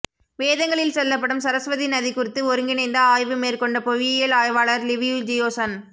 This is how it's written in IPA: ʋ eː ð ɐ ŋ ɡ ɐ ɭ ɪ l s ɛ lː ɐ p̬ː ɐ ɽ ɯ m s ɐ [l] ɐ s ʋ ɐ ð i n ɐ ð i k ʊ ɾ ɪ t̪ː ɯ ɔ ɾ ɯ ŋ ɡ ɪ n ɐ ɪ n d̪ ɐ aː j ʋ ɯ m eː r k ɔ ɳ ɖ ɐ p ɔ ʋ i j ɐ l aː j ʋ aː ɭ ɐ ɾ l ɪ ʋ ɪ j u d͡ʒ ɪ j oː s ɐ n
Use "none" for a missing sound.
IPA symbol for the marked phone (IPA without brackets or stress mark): ɾ